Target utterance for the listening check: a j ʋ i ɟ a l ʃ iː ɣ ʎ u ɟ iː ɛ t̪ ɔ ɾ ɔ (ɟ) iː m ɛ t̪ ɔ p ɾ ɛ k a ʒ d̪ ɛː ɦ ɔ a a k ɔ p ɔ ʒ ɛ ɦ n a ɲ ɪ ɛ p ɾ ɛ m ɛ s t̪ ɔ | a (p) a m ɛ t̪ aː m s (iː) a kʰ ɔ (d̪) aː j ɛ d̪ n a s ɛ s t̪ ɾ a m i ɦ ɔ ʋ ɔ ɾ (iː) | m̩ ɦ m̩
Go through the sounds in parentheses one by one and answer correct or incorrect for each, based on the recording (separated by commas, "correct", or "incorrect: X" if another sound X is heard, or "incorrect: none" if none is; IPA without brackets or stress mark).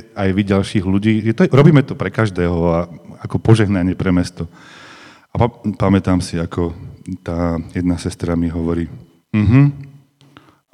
incorrect: b, correct, incorrect: i, incorrect: t̪, correct